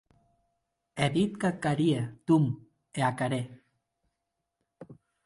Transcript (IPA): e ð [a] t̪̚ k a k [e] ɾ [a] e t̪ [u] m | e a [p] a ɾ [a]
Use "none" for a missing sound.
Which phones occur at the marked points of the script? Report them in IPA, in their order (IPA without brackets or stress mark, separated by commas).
i, a, i, u, k, e